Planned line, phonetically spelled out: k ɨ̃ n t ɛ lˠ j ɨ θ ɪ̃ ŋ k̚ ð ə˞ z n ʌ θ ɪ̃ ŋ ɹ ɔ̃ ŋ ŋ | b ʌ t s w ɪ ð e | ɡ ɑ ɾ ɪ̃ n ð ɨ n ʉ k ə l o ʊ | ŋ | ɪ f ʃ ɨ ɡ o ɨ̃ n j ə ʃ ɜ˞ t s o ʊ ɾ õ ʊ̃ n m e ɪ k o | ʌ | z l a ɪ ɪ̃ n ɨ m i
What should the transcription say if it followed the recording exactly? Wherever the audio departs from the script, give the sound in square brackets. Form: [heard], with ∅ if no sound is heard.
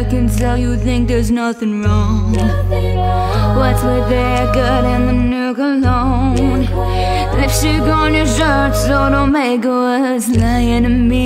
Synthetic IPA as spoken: k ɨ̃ n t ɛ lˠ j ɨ θ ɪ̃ ŋ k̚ ð ə˞ z n ʌ θ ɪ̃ ŋ ɹ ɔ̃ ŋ ŋ | [w] ʌ t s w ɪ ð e | ɡ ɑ ɾ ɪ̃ n ð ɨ n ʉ k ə l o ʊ | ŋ | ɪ f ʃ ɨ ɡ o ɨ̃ n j ə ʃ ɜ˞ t s o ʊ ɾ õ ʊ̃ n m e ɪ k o | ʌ | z l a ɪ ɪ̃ n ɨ m i